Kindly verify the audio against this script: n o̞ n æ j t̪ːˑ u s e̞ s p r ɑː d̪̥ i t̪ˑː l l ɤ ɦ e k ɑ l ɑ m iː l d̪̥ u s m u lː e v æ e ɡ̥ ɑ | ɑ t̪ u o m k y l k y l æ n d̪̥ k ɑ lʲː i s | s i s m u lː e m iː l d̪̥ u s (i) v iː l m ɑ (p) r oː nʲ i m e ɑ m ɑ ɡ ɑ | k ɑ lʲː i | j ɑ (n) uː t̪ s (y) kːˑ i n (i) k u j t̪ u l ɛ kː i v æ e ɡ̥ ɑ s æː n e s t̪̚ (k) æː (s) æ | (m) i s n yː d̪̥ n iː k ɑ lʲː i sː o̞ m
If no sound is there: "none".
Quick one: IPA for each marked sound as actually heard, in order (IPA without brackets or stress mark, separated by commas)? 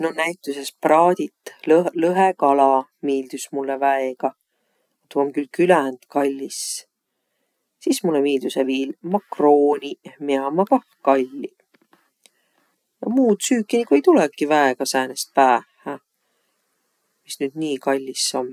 e, k, m, yː, i, p, h, m